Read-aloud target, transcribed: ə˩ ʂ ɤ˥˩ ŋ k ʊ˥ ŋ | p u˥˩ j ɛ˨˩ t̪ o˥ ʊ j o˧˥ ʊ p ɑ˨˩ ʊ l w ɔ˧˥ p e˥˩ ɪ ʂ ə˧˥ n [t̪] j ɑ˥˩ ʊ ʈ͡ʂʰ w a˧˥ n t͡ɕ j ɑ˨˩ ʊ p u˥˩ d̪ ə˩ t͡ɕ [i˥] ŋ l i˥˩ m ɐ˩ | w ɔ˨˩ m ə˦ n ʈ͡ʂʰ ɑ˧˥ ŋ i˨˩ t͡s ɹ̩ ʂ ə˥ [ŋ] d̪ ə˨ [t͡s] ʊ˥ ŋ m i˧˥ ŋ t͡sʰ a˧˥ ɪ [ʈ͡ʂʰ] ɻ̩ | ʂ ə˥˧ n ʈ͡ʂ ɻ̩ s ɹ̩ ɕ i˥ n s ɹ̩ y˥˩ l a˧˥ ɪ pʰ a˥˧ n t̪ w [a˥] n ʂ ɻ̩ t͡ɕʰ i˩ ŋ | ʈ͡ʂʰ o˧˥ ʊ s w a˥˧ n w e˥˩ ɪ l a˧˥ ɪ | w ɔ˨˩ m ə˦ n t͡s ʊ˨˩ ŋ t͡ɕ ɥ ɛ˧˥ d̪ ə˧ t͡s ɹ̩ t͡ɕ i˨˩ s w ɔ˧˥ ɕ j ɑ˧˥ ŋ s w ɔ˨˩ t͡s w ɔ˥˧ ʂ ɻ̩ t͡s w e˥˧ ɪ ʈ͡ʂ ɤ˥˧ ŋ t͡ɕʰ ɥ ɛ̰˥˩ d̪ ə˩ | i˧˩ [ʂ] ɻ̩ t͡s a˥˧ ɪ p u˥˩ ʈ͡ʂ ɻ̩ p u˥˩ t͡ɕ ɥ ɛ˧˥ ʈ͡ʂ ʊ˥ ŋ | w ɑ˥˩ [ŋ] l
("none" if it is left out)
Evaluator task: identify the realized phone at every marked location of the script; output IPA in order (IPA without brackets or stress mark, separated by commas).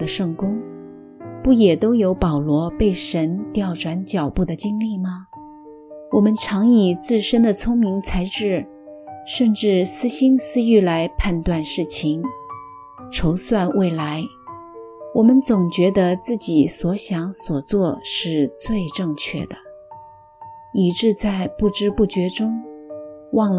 t̪, i˥, n, t͡sʰ, ʈ͡ʂ, a˥˧, ʈ͡ʂ, ŋ